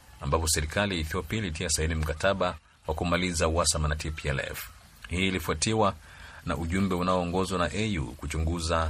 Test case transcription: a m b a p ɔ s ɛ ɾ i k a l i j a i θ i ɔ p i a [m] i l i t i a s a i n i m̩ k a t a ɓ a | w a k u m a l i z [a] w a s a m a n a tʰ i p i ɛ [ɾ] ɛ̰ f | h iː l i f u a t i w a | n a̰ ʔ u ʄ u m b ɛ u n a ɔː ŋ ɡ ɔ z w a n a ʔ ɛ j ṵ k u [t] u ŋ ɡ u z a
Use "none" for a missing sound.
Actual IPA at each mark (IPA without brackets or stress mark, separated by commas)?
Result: none, a, l, t͡ʃ